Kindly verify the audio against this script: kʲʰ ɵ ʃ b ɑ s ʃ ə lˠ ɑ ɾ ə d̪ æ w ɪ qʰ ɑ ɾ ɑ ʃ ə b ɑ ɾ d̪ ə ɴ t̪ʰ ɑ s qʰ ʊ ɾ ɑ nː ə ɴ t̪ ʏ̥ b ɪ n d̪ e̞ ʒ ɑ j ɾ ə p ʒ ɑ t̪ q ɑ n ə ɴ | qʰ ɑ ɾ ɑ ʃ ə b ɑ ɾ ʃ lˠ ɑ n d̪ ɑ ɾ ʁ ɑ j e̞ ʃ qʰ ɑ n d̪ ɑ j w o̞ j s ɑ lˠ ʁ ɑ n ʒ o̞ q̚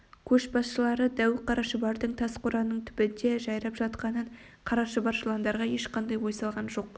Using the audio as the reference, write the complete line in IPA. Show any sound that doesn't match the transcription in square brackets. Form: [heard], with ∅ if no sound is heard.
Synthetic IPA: kʲʰ ɵ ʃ b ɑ s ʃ ə lˠ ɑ ɾ ə d̪ æ w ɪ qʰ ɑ ɾ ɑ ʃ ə b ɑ ɾ d̪ ə ɴ t̪ʰ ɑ s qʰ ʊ ɾ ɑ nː ə ɴ [t̪ʰ] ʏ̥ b ɪ n d̪ e̞ ʒ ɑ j ɾ [ɑ] p ʒ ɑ t̪ q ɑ n ə ɴ | qʰ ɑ ɾ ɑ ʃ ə b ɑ ɾ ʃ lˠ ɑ n d̪ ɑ ɾ ʁ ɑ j e̞ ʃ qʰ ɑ n d̪ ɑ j w o̞ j s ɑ lˠ ʁ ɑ n ʒ o̞ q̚

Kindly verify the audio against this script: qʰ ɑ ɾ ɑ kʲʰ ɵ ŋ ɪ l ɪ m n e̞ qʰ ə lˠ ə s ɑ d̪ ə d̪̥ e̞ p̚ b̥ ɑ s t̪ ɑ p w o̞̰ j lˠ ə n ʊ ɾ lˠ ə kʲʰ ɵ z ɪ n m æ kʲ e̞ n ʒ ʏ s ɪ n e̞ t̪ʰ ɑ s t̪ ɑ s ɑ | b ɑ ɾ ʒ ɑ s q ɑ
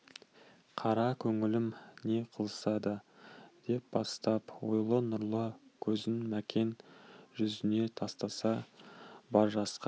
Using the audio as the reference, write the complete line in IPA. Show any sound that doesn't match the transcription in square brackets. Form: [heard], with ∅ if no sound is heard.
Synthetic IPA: qʰ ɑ ɾ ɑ kʲʰ ɵ ŋ ɪ l ɪ m n e̞ qʰ ə lˠ ə s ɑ d̪ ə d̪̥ e̞ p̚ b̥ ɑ s t̪ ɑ p w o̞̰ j lˠ ə n ʊ ɾ lˠ ə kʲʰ ɵ z ɪ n m æ kʲ e̞ n ʒ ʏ [z] ɪ n e̞ t̪ʰ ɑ s t̪ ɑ s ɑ | b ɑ ɾ ʒ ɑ s q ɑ

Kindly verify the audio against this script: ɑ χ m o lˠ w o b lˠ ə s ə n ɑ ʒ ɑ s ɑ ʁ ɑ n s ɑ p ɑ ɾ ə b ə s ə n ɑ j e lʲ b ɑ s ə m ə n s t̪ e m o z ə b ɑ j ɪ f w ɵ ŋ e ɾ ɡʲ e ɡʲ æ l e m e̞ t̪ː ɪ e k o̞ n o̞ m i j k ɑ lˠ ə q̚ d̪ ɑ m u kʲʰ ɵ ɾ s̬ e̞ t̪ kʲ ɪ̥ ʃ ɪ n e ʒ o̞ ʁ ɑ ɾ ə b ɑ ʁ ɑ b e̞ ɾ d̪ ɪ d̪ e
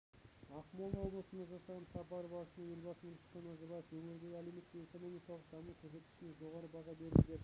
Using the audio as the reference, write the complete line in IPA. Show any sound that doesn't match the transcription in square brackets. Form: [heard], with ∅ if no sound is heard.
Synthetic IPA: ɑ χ m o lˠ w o b lˠ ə s ə n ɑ ʒ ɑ s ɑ ʁ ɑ n s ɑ p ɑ ɾ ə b [ɑ] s ə n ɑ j e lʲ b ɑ s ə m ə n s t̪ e [n] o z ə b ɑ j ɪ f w ɵ ŋ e ɾ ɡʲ e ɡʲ æ l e m e̞ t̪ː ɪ e k o̞ n o̞ m i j k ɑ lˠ ə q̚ d̪ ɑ m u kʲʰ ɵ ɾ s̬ e̞ t̪ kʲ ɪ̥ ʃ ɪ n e ʒ o̞ ʁ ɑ ɾ ə b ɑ ʁ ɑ b e̞ ɾ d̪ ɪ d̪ e

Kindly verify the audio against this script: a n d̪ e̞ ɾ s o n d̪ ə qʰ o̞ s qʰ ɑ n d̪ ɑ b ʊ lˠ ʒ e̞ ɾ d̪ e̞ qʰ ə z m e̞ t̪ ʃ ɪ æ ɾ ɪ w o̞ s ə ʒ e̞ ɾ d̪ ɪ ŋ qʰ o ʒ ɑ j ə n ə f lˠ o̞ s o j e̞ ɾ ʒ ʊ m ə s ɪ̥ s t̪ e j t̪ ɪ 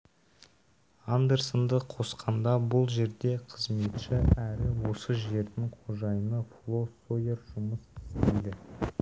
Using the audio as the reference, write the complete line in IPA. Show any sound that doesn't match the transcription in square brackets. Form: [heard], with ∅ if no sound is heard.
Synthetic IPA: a n d̪ e̞ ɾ s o n d̪ ə qʰ o̞ s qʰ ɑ n d̪ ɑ b ʊ lˠ ʒ e̞ ɾ d̪ e̞ qʰ ə z m e̞ t̪ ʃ ɪ æ ɾ ɪ w o̞ s ə ʒ e̞ ɾ d̪ ɪ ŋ qʰ o ʒ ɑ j ə n ə f lˠ o̞ s o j e̞ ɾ ʒ ʊ m ə s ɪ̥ s t̪ e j [d̪] ɪ

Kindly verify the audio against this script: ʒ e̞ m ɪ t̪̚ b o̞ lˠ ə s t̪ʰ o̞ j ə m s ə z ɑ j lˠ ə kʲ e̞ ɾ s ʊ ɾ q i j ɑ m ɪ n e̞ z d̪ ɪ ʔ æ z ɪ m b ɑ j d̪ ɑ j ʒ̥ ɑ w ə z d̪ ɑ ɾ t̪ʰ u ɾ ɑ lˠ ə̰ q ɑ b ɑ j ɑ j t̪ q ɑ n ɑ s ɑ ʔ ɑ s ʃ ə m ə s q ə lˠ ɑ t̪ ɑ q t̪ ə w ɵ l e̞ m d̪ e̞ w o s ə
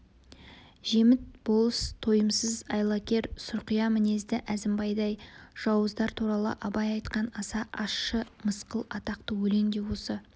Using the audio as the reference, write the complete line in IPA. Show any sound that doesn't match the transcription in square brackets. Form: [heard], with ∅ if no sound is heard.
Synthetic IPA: ʒ e̞ m ɪ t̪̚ b o̞ lˠ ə s t̪ʰ o̞ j ə m s ə z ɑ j lˠ [ɑ] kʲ e̞ ɾ s ʊ ɾ q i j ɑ m ɪ n e̞ z d̪ ɪ ʔ æ z ɪ m b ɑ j d̪ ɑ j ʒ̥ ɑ w ə z d̪ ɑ ɾ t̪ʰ u ɾ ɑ lˠ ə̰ [ʔ] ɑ b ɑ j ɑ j t̪ q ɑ n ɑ s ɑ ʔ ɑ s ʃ ə m ə s q ə lˠ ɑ t̪ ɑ q t̪ ə w ɵ l e̞ [ŋ] d̪ e̞ w o s ə

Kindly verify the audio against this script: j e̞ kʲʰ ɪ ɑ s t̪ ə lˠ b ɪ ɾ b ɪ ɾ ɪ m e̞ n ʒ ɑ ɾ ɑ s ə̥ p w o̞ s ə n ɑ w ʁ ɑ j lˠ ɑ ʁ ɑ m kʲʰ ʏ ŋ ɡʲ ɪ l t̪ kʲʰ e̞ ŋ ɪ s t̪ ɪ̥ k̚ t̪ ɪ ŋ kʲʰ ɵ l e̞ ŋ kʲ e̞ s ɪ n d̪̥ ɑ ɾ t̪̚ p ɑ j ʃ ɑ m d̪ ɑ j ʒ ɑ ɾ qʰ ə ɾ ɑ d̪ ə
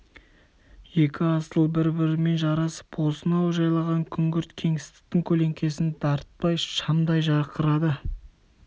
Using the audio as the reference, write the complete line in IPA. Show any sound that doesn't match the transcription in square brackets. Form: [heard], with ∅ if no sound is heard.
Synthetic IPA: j e̞ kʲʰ ɪ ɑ s t̪ ə lˠ b ɪ ɾ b ɪ ɾ ɪ m e̞ n ʒ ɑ ɾ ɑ s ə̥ p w o̞ s ə n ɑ w [ʒ] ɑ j lˠ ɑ ʁ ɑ [ŋ] kʲʰ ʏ ŋ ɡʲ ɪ [ɾ] t̪ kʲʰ e̞ ŋ ɪ s t̪ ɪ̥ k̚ t̪ ɪ ŋ kʲʰ ɵ l e̞ ŋ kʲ e̞ s ɪ n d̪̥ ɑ ɾ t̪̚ p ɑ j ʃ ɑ m d̪ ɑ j ʒ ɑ ɾ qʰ ə ɾ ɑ d̪ ə

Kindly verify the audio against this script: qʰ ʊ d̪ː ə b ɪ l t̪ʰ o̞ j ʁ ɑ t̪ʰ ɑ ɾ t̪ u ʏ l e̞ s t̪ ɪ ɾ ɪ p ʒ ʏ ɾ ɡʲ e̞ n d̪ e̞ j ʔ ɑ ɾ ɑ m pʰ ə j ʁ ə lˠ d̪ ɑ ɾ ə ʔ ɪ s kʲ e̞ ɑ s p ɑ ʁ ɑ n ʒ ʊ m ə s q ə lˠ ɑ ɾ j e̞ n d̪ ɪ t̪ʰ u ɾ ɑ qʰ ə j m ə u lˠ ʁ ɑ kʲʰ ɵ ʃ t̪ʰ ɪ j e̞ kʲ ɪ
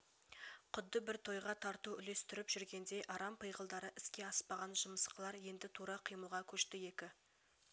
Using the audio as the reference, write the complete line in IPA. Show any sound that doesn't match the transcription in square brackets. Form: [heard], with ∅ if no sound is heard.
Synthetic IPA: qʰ ʊ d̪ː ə b ɪ [ɾ] t̪ʰ o̞ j ʁ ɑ t̪ʰ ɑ ɾ t̪ u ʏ l e̞ s t̪ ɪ ɾ ɪ p ʒ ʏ ɾ ɡʲ e̞ n d̪ e̞ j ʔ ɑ ɾ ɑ m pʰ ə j ʁ ə lˠ d̪ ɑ ɾ ə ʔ ɪ s kʲ e̞ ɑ s p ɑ ʁ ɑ n ʒ ʊ m ə s q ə lˠ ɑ ɾ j e̞ n d̪ ɪ t̪ʰ u ɾ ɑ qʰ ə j m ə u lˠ ʁ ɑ kʲʰ ɵ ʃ [t̪] ɪ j e̞ kʲ ɪ

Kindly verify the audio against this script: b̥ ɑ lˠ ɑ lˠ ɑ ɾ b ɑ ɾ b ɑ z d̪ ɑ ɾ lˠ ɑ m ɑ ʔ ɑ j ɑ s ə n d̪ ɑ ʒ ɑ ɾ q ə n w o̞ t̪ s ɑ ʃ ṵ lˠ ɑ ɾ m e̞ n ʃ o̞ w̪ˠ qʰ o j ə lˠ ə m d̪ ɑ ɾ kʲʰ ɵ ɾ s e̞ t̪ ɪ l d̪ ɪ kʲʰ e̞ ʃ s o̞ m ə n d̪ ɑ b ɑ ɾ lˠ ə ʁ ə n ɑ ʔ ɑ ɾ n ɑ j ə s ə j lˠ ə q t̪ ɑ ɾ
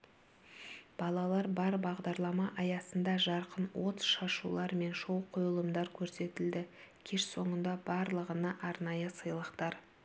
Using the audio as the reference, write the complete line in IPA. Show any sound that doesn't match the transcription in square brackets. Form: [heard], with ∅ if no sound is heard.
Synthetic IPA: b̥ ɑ lˠ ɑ lˠ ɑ ɾ b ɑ ɾ b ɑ [ʁ] d̪ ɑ ɾ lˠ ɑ m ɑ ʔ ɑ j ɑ s ə n d̪ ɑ ʒ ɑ ɾ q ə n w o̞ t̪ [ʃ] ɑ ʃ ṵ lˠ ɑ ɾ m e̞ n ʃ o̞ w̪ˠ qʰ o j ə lˠ ə m d̪ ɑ ɾ kʲʰ ɵ ɾ s e̞ t̪ ɪ l d̪ ɪ kʲʰ e̞ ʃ s o̞ [ɴ] ə n d̪ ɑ b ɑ ɾ lˠ ə ʁ ə n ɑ ʔ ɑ ɾ n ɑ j ə s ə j lˠ ə q t̪ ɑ ɾ

